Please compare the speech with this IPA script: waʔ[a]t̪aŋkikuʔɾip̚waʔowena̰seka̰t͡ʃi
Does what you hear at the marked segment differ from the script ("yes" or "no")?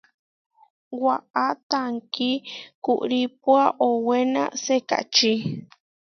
no